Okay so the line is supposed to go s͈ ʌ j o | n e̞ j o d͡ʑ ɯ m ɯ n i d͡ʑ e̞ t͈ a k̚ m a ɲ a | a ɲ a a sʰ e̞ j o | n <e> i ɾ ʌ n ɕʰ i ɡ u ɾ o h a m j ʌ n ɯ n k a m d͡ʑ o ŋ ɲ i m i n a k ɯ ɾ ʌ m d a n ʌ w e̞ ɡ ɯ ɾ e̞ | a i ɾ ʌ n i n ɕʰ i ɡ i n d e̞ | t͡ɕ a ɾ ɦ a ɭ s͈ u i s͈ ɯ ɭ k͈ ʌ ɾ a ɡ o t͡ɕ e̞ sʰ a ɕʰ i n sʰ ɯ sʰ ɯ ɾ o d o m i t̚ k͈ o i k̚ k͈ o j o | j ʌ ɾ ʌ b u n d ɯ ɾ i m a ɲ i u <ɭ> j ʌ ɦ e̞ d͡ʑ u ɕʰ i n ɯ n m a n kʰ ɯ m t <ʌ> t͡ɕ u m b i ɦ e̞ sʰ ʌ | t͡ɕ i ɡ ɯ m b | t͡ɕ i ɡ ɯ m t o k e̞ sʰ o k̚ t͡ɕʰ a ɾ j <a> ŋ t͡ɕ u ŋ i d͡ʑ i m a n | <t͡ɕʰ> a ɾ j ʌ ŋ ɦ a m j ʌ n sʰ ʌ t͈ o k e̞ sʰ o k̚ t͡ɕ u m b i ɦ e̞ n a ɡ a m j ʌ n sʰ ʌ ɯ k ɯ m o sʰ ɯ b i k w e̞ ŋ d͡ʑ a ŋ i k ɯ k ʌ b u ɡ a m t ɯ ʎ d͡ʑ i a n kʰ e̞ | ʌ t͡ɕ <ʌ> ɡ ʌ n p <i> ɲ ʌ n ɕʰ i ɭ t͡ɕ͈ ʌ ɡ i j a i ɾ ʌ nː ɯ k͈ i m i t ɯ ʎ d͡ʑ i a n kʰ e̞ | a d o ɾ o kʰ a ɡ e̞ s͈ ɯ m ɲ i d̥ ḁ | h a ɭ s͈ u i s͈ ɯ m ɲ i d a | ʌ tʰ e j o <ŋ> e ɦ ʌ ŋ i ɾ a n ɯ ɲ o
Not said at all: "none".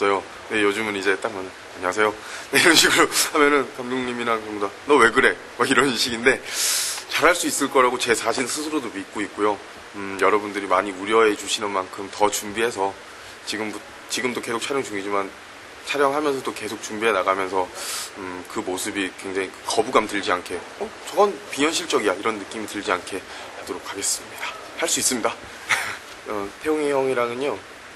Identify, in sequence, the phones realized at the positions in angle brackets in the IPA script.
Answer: e, ɾ, ʌ, ʌ, t͡ɕʰ, ʌ, i, ŋ

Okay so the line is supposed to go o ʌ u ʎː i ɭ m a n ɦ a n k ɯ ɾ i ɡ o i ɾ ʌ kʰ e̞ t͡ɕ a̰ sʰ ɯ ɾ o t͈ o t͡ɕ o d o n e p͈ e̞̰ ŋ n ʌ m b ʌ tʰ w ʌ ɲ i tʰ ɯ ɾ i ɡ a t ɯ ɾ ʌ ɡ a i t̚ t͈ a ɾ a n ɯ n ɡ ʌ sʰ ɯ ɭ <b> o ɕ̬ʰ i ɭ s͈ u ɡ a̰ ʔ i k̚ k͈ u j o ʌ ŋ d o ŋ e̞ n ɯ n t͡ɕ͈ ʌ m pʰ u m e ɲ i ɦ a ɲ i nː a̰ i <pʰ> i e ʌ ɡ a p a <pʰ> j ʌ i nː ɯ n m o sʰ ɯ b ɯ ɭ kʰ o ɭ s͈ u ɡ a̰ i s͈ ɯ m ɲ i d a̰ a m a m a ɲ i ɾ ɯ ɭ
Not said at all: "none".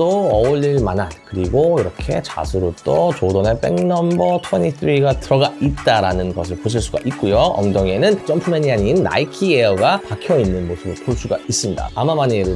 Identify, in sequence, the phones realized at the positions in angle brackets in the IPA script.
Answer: p, kʰ, kʰ

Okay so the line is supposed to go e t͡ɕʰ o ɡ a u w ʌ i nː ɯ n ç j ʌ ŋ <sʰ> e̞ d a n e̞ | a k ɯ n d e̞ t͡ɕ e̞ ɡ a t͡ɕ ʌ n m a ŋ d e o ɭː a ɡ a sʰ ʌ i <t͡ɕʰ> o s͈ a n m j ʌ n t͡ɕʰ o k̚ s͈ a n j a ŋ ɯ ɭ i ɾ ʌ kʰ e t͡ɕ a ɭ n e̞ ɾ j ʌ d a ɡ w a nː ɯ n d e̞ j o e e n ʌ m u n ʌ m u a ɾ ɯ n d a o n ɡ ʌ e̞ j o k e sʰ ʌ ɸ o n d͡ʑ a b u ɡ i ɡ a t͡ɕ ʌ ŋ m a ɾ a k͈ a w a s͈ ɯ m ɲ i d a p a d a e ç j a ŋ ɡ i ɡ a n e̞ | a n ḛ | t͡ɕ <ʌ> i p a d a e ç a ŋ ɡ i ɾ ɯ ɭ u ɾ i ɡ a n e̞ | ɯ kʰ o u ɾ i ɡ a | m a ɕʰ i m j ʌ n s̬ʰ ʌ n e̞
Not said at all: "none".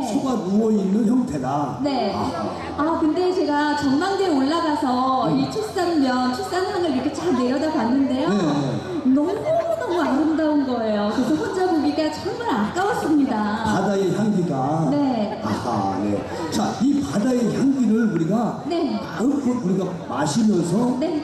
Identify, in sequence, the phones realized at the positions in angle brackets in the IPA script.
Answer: tʰ, t͡ɕʰ, a

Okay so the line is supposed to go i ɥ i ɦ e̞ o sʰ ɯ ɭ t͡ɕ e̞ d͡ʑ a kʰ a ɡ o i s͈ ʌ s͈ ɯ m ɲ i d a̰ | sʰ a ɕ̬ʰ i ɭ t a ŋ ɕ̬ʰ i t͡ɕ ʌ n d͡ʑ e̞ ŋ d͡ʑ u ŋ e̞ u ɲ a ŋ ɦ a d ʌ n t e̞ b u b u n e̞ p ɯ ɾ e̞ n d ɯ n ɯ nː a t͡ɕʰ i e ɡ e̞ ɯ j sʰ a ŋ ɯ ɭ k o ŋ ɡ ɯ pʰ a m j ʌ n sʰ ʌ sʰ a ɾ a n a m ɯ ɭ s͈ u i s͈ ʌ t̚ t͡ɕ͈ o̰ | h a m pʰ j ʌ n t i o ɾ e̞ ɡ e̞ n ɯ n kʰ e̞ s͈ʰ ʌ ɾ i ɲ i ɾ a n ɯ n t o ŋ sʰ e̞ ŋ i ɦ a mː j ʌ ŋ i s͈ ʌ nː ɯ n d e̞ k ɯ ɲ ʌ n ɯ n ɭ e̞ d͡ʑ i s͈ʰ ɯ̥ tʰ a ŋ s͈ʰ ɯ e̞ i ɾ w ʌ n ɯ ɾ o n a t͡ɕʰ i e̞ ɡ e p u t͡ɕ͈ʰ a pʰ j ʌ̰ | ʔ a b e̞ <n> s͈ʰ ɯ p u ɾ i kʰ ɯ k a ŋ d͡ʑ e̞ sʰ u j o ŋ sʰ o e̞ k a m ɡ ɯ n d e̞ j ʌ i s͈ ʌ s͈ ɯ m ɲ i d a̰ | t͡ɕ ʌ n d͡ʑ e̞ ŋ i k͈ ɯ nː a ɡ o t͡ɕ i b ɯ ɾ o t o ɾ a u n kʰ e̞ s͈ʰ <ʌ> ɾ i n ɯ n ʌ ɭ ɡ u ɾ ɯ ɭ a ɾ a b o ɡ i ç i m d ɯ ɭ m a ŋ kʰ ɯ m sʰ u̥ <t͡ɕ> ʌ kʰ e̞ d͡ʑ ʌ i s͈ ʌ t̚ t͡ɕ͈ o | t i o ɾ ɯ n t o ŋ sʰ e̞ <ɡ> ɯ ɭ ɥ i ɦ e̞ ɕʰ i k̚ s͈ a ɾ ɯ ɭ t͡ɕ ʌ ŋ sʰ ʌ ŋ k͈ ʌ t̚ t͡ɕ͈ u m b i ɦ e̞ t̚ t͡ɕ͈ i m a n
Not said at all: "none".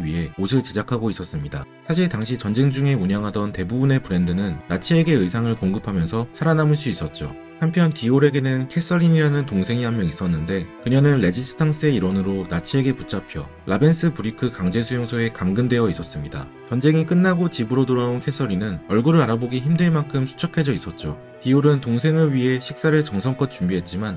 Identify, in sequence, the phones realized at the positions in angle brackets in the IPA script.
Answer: n, ʌ, t͡ɕʰ, ŋ

